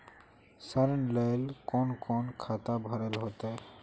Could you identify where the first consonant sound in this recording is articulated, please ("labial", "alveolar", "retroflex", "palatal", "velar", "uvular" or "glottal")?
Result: alveolar